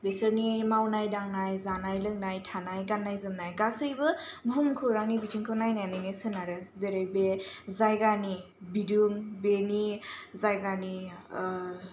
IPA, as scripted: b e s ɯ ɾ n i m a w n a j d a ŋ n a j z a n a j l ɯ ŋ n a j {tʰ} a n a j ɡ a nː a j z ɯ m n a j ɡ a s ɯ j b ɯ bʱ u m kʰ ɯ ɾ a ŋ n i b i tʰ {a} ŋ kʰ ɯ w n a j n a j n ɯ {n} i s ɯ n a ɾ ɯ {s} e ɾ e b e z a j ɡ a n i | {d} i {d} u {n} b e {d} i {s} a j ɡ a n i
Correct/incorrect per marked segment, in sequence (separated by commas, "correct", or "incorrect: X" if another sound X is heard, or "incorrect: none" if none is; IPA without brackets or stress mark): correct, incorrect: i, correct, incorrect: z, incorrect: b, correct, incorrect: ŋ, incorrect: n, incorrect: z